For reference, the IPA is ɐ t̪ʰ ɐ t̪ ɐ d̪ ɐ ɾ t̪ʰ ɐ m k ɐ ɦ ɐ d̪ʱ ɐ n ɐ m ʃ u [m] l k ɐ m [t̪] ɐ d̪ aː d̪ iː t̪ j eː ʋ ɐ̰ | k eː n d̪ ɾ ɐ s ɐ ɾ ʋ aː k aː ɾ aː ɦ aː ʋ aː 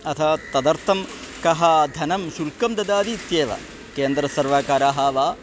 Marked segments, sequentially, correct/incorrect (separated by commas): incorrect, incorrect